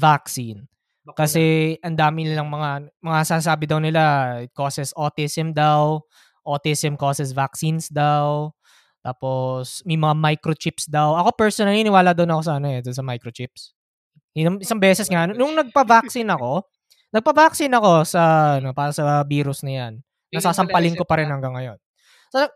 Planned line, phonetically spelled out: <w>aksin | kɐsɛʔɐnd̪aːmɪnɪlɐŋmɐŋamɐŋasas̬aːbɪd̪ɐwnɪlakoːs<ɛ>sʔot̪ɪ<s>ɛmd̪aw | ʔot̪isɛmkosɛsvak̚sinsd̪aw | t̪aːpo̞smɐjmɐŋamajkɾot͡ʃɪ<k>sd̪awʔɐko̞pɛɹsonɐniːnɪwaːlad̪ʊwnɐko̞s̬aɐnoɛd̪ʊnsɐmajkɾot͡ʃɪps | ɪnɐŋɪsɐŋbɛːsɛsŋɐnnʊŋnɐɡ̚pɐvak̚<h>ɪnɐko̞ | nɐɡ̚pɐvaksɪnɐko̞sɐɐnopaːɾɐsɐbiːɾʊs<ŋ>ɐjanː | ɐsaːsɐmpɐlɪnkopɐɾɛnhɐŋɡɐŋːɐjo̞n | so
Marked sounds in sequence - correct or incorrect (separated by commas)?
incorrect, correct, correct, incorrect, incorrect, incorrect